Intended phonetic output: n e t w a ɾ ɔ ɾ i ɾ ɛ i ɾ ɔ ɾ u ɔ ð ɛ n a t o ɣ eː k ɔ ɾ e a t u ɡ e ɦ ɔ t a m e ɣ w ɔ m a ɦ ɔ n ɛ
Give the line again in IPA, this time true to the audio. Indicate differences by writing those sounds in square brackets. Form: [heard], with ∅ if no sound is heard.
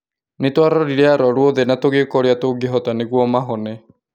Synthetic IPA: n e t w a ɾ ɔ ɾ i ɾ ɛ [a] ɾ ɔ ɾ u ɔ ð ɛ n a t o ɣ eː k ɔ ɾ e a t [o] ɡ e ɦ ɔ t a [n] e ɣ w ɔ m a ɦ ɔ n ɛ